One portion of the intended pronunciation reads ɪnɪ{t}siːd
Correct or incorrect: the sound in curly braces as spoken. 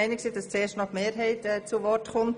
incorrect: k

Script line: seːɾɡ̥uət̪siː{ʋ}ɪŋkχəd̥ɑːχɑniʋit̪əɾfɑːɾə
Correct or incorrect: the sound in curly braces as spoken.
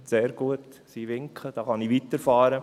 correct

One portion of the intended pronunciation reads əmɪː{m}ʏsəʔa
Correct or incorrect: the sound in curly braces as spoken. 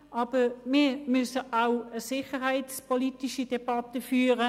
correct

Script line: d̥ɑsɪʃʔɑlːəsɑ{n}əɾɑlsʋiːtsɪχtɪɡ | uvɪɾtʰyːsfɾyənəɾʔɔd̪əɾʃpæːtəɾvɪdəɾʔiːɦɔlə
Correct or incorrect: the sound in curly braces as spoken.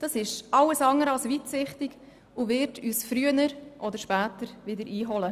incorrect: ŋ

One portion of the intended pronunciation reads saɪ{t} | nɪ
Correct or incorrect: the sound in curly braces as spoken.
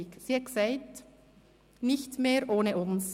correct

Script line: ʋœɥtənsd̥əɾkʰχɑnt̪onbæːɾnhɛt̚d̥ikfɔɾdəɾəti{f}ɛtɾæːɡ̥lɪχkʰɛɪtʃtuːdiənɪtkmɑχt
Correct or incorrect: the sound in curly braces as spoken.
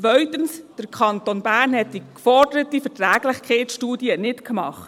correct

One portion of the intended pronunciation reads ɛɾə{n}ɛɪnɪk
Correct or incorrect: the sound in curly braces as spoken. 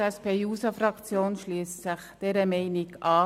incorrect: m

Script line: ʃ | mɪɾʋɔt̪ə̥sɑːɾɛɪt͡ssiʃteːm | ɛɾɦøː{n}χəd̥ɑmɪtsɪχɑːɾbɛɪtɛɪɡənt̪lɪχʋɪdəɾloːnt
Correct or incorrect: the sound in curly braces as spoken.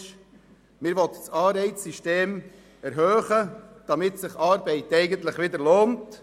incorrect: none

